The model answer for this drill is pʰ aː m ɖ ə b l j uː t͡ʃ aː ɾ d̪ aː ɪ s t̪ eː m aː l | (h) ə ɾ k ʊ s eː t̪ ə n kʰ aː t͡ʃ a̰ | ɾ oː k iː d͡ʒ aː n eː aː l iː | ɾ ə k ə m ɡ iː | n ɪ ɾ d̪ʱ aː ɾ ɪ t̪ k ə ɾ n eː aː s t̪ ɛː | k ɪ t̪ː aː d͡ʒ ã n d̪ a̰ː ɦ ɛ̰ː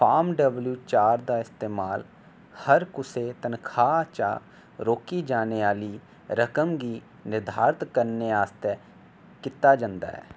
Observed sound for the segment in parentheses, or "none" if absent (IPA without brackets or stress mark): h